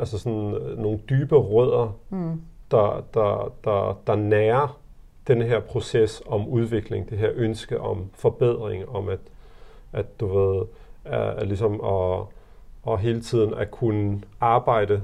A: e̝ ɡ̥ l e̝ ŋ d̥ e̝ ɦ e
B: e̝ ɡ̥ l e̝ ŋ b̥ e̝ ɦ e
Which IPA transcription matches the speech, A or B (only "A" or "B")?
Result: A